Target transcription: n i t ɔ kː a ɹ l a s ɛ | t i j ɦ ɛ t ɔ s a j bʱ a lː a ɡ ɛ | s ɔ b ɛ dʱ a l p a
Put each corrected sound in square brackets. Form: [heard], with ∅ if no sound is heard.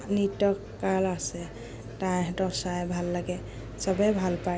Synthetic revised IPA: n i t ɔ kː a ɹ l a s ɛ | t [a] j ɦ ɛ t ɔ s a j bʱ a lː a ɡ ɛ | s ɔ b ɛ [bʱ] a l p a